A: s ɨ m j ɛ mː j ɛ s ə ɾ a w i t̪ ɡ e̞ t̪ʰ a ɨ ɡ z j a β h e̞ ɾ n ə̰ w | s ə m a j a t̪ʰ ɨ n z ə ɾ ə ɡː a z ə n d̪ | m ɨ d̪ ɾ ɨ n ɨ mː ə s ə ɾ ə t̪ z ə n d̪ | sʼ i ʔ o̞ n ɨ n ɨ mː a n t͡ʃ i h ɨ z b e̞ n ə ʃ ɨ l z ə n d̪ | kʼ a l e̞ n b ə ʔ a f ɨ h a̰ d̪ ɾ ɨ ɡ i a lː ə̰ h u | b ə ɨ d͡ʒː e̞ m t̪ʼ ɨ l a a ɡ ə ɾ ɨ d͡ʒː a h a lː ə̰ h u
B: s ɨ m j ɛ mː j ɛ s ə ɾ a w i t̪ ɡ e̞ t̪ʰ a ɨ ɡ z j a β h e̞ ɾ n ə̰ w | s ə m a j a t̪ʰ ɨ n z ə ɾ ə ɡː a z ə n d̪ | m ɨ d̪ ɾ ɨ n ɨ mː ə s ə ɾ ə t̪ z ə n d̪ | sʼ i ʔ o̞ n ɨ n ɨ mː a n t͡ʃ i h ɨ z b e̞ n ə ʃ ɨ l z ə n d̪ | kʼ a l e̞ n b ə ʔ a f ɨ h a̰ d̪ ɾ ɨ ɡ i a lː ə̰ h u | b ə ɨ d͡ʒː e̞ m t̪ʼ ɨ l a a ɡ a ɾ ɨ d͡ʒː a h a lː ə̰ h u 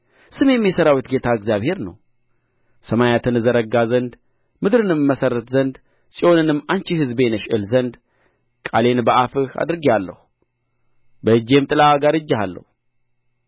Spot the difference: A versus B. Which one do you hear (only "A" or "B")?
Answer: B